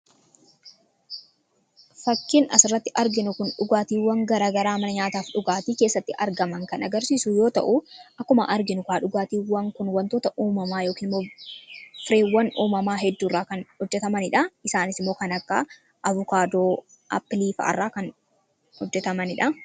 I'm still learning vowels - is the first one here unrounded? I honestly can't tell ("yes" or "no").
yes